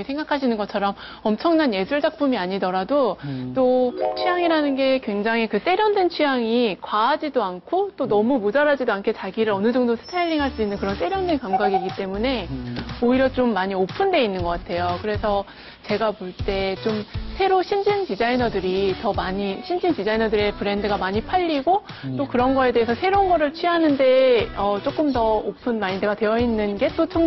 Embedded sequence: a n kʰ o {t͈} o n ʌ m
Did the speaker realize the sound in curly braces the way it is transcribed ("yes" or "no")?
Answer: yes